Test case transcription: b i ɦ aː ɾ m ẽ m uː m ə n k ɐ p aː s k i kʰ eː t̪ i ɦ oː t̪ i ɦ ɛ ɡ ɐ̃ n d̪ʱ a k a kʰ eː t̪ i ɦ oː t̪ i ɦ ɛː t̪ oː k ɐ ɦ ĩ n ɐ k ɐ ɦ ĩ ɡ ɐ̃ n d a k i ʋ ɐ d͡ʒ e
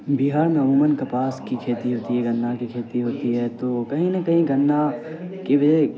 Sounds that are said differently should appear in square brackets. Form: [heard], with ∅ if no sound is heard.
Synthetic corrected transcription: b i ɦ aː ɾ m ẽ m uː m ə n k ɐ p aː s k i kʰ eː t̪ i ɦ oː t̪ i ɦ ɛ ɡ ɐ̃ n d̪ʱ a k [i] kʰ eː t̪ i ɦ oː t̪ i ɦ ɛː t̪ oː k ɐ ɦ ĩ n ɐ k ɐ ɦ ĩ ɡ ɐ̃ n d a k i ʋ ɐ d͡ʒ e